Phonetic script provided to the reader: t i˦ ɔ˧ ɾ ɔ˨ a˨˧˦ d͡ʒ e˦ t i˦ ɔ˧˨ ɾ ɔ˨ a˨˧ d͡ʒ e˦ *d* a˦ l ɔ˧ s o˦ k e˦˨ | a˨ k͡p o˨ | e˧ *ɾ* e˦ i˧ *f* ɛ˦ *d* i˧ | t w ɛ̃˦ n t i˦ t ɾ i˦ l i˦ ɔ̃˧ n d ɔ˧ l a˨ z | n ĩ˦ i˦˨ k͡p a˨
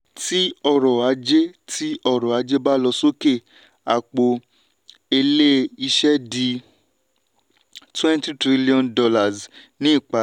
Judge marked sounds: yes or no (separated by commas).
no, no, no, yes